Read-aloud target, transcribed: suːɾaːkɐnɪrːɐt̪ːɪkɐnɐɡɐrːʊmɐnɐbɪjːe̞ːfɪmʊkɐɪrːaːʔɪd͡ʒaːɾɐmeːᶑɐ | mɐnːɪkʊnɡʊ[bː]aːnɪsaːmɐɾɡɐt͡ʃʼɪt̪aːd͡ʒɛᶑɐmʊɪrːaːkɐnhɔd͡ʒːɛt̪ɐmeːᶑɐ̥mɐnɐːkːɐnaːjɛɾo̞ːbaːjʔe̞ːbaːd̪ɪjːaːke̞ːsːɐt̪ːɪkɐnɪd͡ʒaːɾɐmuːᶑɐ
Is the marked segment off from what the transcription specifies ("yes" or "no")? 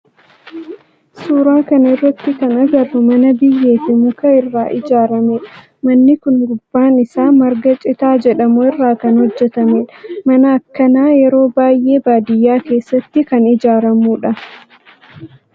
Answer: no